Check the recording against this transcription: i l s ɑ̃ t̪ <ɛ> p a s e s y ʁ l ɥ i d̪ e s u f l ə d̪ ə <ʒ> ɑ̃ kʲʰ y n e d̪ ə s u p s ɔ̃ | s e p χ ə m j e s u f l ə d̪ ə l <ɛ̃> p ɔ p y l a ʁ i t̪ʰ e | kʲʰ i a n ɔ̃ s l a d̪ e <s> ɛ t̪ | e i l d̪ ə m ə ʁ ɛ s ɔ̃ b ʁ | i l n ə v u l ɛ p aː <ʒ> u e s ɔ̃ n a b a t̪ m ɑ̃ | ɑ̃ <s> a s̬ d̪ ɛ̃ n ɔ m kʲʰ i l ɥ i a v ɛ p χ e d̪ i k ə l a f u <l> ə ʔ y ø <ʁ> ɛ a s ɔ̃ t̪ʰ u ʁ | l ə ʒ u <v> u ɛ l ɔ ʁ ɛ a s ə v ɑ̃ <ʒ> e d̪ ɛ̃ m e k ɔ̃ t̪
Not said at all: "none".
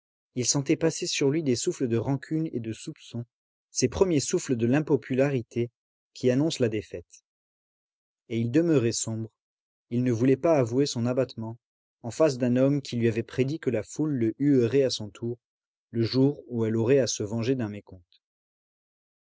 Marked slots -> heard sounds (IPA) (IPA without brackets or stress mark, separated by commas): ɛ, ʁ, ɛ̃, f, v, f, lː, ʁ, ʁ, ʒ